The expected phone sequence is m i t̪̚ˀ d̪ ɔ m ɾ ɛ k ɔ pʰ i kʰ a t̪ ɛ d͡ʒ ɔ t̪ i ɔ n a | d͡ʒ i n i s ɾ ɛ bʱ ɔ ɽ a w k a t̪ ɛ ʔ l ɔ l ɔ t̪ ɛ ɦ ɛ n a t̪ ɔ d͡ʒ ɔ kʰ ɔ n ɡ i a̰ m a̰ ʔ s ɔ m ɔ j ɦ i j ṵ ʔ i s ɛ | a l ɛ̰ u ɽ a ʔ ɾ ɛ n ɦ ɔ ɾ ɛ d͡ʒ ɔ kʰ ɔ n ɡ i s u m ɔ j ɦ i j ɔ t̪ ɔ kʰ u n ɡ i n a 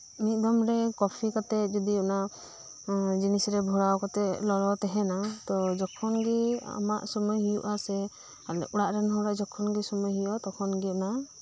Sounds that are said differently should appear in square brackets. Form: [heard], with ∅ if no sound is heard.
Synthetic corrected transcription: m i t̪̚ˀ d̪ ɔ m ɾ ɛ k ɔ pʰ i [k] a t̪ ɛ d͡ʒ ɔ [d̪] i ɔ n a | d͡ʒ i n i s ɾ ɛ bʱ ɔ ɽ a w k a t̪ ɛ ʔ l ɔ l ɔ t̪ ɛ ɦ ɛ n a t̪ ɔ d͡ʒ ɔ kʰ ɔ n ɡ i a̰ m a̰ ʔ s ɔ m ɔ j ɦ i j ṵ ʔ [a] s ɛ | a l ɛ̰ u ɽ a ʔ ɾ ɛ n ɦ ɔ ɾ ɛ d͡ʒ ɔ kʰ ɔ n ɡ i s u m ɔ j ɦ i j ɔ t̪ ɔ kʰ [ɔ] n ɡ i n a